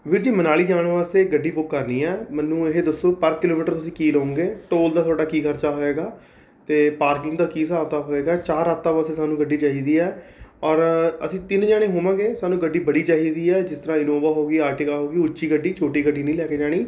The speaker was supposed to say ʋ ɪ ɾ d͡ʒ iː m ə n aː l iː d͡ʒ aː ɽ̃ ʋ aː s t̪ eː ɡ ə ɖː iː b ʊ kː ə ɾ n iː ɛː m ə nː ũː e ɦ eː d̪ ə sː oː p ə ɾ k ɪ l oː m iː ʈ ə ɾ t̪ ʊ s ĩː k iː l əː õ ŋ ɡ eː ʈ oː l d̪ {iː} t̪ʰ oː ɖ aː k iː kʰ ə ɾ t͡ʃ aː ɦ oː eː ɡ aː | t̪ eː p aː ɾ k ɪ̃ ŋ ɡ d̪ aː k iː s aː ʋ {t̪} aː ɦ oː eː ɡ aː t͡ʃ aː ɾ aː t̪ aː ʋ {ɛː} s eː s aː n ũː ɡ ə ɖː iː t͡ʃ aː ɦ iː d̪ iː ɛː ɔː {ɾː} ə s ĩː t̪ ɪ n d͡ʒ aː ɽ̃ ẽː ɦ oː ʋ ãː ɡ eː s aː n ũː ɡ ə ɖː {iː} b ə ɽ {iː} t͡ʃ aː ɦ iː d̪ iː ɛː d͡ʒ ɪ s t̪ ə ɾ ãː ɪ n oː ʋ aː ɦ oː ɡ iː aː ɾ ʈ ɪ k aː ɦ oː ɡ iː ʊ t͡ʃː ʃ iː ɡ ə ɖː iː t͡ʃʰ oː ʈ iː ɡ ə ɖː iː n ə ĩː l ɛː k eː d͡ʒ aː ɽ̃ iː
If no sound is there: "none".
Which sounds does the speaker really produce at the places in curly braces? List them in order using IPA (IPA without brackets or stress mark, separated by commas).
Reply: aː, t̪, aː, ɾ, iː, iː